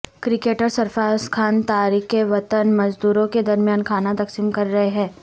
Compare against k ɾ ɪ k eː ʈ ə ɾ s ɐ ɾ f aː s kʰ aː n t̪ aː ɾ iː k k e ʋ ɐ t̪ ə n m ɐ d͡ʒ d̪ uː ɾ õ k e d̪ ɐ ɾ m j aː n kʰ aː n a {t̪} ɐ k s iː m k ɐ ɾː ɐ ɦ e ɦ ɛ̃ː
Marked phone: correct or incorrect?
correct